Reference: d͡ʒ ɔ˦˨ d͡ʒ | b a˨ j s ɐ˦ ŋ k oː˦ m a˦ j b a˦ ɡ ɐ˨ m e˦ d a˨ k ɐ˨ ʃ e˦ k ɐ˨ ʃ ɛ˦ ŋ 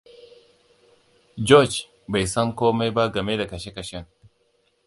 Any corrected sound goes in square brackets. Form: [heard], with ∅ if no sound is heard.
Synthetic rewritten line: d͡ʒ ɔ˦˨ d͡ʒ | b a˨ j s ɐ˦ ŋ k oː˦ m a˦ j b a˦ ɡ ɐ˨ m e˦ d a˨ k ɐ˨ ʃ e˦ k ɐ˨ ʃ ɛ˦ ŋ